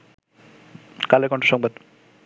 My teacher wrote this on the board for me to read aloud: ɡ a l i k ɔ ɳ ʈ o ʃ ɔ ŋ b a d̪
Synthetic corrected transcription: k a l e k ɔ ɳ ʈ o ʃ ɔ ŋ b a d̪